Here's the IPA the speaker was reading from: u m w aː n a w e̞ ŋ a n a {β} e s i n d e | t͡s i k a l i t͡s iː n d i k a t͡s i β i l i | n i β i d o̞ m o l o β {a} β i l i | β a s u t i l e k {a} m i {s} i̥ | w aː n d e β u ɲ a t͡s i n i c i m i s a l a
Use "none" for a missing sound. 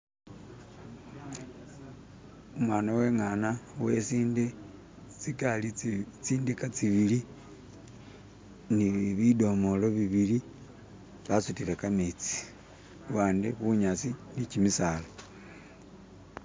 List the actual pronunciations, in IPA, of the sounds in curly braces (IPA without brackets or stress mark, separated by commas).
w, i, a, t͡s